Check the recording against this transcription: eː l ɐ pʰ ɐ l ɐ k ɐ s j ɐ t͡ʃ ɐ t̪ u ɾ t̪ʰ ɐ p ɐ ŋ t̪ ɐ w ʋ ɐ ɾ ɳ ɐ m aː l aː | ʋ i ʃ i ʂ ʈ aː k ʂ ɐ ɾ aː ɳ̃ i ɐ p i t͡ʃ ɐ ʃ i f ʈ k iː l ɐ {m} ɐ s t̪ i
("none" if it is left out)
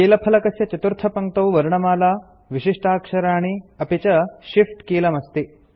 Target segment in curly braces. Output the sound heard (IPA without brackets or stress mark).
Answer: m